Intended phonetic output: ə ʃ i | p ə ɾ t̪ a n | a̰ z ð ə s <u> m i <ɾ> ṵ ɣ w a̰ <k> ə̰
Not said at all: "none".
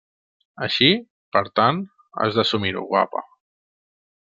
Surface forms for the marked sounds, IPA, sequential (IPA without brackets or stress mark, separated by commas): u, ɾ, p